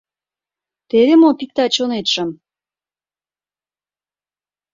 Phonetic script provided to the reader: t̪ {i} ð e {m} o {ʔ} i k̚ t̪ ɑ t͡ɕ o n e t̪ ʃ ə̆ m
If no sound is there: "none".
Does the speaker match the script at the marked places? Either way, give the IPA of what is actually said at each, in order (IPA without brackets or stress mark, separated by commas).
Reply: e, m, p